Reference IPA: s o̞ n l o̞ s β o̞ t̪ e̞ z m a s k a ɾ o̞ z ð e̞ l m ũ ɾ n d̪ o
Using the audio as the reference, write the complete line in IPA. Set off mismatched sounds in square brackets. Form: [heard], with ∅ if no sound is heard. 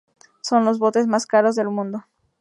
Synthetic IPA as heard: s o̞ n l o̞ [z] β o̞ t̪ e̞ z m a s k a ɾ o̞ z ð e̞ l m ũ [∅] n d̪ o